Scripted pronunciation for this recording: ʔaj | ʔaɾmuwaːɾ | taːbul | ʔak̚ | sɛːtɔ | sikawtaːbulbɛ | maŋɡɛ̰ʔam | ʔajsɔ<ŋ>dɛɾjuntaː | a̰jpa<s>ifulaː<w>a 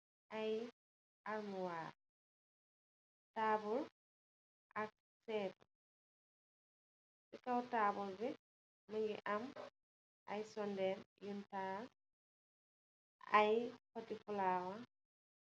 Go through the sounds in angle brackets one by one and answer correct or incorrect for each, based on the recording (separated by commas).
incorrect, incorrect, correct